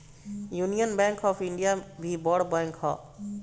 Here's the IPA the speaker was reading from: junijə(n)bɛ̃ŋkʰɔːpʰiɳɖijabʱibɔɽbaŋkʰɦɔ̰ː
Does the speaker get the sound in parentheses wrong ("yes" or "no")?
no